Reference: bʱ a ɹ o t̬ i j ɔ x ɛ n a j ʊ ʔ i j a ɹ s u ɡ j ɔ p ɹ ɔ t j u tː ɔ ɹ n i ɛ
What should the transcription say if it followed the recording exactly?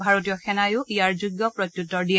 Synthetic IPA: bʱ a ɹ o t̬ i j ɔ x ɛ n a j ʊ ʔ i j a ɹ z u ɡ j ɔ p ɹ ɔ t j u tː ɔ ɹ d i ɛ